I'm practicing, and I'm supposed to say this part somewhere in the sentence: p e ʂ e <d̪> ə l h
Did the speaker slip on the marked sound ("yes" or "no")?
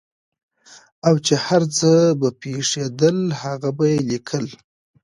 no